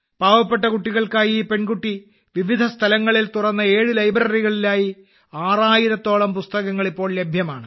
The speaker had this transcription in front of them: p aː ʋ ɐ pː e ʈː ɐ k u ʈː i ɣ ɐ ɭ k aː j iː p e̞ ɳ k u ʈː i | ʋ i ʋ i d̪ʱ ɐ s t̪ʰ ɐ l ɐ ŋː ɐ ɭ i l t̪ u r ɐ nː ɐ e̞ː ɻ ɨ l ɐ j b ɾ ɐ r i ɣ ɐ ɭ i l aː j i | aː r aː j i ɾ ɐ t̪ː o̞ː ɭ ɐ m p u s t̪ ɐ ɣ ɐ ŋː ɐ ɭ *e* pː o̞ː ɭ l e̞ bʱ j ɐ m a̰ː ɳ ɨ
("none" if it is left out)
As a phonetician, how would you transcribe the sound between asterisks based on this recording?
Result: i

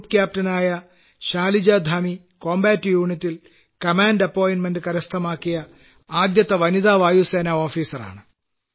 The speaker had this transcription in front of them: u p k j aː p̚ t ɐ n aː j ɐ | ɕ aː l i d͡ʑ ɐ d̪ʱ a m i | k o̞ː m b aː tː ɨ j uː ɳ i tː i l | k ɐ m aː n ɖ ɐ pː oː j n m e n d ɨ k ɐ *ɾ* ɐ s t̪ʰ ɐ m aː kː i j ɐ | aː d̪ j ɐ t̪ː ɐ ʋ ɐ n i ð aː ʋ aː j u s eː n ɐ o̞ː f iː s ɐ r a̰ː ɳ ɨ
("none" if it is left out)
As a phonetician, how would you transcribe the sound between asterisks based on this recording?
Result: ɾ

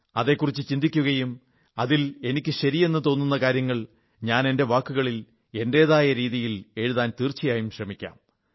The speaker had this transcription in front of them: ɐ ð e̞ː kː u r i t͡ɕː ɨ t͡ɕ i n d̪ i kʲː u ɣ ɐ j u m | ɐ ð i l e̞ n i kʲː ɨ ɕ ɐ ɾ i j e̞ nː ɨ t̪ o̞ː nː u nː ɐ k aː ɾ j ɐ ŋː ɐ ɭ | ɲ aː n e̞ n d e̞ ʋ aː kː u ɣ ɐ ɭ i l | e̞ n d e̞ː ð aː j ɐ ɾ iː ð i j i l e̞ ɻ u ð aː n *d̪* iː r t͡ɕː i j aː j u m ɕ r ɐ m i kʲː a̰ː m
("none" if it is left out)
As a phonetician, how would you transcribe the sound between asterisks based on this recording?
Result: t̪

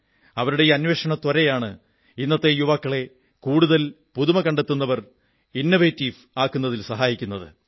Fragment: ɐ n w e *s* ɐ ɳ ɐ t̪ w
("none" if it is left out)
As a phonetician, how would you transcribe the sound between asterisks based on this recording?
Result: ʂ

